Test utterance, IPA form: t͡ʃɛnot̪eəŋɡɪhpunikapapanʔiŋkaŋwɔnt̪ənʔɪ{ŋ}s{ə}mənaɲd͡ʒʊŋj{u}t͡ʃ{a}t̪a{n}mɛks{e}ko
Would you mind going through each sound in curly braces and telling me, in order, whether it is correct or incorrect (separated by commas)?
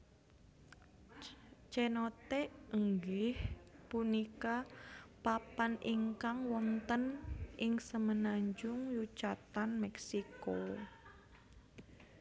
correct, correct, correct, correct, correct, incorrect